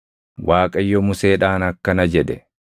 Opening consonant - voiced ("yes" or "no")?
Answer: yes